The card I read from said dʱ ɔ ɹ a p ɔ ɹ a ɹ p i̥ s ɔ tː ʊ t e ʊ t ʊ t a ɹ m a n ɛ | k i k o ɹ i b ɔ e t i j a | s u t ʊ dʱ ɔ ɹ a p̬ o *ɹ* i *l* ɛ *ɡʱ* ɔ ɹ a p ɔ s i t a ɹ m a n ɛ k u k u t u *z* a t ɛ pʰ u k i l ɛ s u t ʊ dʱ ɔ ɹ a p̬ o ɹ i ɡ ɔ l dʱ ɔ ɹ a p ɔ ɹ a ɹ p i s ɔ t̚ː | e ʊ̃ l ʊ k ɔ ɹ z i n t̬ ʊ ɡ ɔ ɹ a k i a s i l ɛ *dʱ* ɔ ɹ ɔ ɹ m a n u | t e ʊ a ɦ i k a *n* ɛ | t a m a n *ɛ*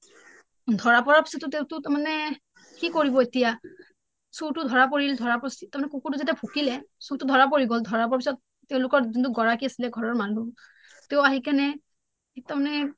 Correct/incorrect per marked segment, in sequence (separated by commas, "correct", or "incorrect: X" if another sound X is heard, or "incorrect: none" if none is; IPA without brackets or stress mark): correct, correct, incorrect: dʱ, correct, incorrect: ɡʱ, correct, correct